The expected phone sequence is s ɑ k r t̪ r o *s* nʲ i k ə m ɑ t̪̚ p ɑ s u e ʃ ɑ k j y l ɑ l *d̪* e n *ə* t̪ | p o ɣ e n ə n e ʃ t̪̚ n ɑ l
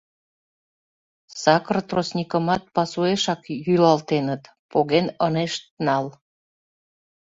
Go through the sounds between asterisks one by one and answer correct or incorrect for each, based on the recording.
correct, incorrect: t̪, correct

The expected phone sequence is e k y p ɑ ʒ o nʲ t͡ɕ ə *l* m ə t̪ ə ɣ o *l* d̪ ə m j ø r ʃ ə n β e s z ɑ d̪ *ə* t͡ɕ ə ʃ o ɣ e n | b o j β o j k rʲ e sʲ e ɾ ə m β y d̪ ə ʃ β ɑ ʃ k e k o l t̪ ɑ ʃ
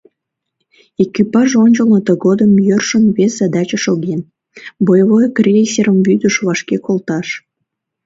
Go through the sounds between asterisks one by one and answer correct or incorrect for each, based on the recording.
correct, incorrect: none, incorrect: ɑ

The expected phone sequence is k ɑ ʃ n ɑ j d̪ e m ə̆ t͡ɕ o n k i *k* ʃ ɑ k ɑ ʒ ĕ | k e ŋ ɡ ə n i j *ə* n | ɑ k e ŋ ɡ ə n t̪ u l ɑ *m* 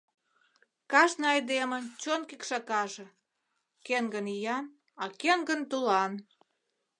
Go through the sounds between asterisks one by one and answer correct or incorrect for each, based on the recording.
correct, incorrect: ɑ, incorrect: n

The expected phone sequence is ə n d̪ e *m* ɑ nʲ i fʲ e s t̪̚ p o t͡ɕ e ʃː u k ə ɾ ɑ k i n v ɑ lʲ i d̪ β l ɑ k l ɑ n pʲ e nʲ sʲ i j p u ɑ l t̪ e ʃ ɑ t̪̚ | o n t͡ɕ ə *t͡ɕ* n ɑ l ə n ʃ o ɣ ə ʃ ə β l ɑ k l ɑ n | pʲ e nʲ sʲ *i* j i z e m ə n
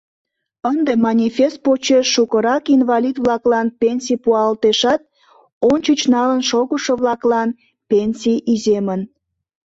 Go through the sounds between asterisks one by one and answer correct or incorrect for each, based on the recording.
correct, correct, correct

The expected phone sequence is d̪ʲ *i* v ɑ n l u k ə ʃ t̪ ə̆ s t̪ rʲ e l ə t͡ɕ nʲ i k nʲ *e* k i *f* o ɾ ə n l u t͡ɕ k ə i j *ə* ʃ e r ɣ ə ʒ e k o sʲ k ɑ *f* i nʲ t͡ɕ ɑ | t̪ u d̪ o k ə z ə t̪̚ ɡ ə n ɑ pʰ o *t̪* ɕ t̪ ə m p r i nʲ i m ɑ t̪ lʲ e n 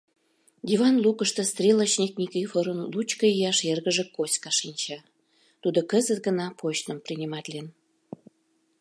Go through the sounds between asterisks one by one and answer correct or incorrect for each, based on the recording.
correct, incorrect: i, correct, incorrect: ɑ, incorrect: ʃ, incorrect: none

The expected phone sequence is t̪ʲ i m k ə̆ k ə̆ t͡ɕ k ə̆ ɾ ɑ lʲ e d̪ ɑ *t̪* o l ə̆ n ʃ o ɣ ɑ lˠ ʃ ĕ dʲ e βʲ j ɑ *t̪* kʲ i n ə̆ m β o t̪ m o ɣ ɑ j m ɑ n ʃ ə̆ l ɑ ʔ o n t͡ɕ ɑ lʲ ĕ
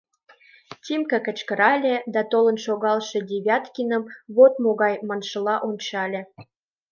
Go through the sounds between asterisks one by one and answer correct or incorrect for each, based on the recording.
correct, correct

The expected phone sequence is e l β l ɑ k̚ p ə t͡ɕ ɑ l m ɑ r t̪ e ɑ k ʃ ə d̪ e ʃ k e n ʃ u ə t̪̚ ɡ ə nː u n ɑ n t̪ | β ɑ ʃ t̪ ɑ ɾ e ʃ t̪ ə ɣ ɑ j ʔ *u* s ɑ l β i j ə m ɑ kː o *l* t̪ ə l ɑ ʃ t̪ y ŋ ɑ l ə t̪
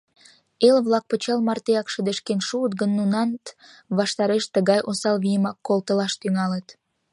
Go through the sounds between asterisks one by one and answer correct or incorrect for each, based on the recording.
incorrect: o, correct

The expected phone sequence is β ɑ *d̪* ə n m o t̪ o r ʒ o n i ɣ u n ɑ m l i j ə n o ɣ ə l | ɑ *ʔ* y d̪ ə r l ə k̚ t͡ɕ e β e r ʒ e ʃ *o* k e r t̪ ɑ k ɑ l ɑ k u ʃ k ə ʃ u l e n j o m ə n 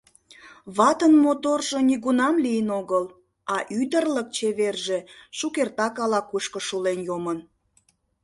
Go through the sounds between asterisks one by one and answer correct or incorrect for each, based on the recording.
incorrect: t̪, correct, incorrect: u

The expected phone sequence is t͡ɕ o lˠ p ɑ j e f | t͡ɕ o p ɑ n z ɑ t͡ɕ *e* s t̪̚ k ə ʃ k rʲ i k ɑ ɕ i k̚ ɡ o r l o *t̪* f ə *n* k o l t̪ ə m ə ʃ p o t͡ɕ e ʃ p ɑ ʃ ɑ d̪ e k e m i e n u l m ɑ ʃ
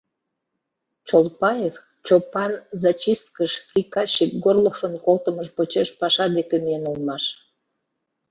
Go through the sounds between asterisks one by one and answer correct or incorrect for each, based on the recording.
incorrect: i, incorrect: none, correct

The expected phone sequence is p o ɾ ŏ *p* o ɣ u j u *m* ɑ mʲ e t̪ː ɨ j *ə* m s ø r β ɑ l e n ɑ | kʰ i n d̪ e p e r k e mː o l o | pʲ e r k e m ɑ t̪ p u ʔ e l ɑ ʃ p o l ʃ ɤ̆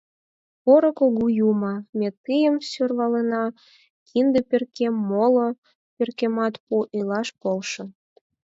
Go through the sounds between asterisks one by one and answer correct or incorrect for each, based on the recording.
incorrect: k, correct, correct

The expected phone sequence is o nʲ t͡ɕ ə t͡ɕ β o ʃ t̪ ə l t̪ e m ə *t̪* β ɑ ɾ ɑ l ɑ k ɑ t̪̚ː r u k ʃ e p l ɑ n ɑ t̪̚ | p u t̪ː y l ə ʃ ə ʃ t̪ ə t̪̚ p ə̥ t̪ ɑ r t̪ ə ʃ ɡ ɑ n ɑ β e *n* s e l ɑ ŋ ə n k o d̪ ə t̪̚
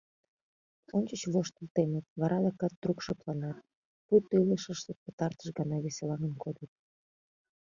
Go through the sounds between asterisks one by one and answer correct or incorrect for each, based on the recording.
correct, incorrect: none

